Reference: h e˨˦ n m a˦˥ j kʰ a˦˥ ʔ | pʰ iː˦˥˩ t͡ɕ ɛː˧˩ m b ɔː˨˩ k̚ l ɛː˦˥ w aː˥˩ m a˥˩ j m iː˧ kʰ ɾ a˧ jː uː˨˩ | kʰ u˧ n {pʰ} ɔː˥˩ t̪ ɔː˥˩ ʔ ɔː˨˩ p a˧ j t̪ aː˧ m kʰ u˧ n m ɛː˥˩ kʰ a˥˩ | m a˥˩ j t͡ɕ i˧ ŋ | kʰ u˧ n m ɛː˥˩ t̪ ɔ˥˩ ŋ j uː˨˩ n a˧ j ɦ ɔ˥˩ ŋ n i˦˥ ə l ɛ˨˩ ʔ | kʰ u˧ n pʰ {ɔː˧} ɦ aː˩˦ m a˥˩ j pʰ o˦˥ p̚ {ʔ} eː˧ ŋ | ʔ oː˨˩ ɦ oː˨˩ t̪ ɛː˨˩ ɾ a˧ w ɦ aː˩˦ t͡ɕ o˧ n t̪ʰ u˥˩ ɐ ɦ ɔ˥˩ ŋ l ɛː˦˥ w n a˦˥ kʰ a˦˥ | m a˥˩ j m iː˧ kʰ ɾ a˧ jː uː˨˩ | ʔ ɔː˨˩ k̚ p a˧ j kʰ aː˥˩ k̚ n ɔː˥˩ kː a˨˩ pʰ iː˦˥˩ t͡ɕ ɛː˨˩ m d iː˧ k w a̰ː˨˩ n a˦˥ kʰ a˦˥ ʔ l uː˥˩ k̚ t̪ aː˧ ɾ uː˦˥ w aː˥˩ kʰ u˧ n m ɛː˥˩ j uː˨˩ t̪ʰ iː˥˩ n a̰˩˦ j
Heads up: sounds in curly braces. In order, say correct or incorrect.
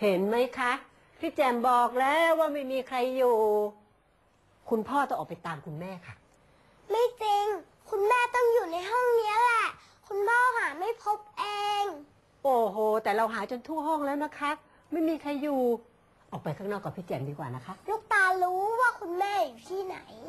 correct, incorrect, correct

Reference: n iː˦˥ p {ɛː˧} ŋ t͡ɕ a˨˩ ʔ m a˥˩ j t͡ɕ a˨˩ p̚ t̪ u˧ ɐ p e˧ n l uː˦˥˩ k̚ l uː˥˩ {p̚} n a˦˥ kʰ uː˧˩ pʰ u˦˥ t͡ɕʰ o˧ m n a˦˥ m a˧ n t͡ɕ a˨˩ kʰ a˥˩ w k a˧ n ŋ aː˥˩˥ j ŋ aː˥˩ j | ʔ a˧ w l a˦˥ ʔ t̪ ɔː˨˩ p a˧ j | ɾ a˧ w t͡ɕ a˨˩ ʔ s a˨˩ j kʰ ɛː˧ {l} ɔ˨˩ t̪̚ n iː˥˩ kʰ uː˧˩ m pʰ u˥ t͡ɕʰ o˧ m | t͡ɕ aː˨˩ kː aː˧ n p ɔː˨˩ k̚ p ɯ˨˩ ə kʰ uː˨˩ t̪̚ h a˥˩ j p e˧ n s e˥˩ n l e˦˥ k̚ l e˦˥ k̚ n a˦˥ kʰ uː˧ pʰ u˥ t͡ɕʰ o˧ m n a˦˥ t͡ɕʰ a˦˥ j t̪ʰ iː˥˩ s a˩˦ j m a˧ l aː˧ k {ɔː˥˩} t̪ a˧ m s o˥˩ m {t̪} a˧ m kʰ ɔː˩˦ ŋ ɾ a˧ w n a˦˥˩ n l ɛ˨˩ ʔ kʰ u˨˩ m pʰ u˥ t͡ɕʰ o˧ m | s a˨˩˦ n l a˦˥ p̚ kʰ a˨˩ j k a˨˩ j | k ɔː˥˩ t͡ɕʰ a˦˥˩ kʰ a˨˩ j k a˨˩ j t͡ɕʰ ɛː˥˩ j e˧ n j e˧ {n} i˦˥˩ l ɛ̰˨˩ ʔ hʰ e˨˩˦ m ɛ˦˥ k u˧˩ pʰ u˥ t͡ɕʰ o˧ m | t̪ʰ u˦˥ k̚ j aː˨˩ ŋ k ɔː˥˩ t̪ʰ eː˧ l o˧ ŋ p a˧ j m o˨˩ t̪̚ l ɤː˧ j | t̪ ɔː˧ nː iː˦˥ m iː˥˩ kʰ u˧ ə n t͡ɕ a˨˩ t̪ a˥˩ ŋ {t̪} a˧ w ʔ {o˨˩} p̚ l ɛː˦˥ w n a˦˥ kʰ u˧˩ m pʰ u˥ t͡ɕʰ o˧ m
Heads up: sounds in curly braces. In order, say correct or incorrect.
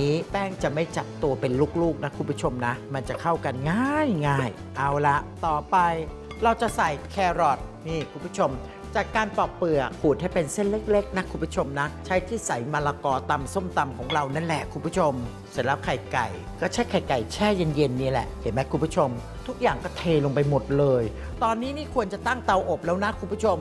incorrect, incorrect, incorrect, incorrect, correct, incorrect, correct, correct

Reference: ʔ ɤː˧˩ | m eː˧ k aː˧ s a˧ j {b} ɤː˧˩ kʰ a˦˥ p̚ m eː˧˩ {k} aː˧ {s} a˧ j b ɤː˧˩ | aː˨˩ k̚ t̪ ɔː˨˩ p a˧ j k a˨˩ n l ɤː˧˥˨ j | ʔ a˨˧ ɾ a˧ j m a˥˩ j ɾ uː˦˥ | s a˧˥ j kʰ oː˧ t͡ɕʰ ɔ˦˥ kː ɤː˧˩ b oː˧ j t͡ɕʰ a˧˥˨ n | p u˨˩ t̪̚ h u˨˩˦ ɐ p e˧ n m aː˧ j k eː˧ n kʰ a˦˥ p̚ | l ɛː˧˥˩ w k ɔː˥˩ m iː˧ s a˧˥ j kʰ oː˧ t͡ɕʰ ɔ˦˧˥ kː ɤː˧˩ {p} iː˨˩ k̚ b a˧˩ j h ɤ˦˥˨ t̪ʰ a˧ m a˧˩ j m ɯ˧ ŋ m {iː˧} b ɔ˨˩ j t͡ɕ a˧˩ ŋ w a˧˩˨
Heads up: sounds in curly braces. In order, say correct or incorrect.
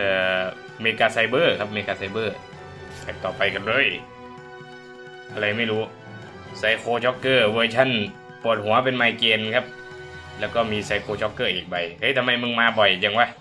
correct, correct, correct, incorrect, incorrect

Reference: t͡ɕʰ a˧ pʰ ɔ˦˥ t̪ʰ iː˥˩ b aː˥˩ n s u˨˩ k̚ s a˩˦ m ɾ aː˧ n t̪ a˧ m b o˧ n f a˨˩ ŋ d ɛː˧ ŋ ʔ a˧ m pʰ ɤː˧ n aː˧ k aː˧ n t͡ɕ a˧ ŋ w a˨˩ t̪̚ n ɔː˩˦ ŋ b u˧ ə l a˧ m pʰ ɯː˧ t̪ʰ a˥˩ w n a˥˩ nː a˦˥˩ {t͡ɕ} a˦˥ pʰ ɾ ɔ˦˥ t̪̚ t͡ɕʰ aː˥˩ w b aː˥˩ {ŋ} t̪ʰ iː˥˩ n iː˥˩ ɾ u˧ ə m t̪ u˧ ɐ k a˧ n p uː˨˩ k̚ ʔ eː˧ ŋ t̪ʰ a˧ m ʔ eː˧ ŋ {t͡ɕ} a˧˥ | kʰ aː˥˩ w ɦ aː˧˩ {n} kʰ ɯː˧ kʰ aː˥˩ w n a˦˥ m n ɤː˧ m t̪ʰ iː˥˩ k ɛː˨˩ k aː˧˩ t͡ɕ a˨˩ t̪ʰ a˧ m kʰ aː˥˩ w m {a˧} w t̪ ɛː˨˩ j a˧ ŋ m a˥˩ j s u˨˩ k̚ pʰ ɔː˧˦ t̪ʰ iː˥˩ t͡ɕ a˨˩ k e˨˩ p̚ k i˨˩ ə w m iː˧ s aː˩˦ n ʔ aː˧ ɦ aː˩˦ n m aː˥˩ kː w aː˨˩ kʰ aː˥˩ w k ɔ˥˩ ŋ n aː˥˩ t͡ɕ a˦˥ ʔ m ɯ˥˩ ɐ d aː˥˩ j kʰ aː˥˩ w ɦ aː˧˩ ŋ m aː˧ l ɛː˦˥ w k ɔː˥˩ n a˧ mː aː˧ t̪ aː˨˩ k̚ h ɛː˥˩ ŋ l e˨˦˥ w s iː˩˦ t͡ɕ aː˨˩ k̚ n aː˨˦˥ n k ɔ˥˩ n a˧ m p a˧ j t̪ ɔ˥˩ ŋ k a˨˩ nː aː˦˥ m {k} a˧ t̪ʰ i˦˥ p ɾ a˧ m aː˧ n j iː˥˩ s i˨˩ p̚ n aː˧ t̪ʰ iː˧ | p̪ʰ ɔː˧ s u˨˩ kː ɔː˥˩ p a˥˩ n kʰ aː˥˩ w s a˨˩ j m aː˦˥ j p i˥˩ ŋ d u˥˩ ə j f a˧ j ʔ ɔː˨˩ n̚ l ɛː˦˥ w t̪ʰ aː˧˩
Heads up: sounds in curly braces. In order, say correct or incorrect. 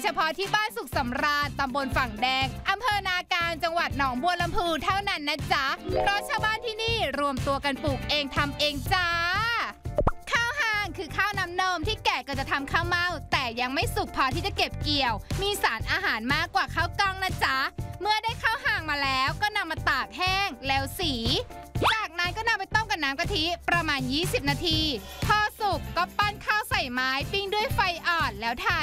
correct, incorrect, correct, incorrect, incorrect, correct

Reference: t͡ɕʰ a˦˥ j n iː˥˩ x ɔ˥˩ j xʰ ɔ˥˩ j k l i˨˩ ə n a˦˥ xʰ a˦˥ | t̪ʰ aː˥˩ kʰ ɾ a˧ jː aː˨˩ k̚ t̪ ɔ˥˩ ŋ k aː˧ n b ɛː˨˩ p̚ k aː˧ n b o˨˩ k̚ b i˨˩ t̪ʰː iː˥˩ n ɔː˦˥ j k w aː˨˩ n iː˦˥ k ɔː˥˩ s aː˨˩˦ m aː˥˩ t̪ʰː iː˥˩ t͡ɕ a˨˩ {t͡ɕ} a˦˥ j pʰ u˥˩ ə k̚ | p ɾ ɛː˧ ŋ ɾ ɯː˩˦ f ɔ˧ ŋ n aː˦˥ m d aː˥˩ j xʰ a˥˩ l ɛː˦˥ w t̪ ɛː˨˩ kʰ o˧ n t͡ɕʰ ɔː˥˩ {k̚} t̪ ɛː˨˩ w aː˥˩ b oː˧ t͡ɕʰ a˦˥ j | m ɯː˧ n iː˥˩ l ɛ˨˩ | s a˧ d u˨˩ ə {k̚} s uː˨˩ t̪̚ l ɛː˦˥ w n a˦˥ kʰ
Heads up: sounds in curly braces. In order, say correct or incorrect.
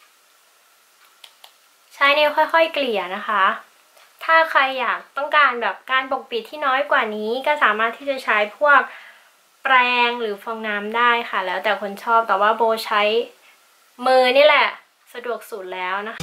incorrect, incorrect, correct

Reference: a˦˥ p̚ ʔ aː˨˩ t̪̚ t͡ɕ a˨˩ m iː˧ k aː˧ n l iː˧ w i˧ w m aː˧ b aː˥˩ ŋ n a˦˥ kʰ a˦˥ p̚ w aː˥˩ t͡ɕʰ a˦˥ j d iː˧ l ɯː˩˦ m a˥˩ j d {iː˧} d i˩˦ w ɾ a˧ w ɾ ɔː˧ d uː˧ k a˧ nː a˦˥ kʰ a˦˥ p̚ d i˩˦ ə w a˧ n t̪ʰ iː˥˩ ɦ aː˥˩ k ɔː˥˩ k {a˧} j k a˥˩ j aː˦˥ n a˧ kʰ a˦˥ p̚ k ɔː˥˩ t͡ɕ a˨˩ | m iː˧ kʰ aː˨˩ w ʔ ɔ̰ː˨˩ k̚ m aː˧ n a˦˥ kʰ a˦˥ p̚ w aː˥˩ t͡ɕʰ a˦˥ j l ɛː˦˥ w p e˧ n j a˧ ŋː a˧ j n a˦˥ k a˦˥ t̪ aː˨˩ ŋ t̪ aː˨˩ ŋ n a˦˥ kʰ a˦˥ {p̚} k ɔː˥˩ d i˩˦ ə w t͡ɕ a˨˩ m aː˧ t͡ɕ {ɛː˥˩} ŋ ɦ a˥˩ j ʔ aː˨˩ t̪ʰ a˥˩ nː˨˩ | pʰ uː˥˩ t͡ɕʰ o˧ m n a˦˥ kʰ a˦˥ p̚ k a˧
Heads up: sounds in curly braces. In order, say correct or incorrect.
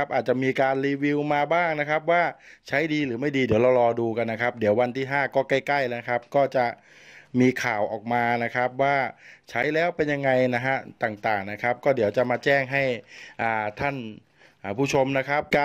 correct, incorrect, correct, correct

